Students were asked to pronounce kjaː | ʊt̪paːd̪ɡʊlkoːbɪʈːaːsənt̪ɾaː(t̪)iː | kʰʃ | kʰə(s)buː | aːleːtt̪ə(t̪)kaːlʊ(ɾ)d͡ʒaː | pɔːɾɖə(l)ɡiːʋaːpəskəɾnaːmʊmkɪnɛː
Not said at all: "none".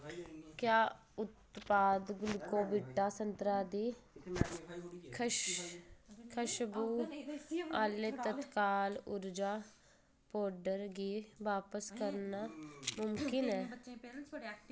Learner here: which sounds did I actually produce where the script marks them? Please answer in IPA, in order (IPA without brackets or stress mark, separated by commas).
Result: d̪, ʃ, t̪, ɾ, ɾ